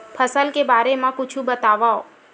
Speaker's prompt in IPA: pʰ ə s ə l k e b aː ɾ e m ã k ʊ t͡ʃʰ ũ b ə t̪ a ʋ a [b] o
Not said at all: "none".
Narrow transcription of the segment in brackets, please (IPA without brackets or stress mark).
none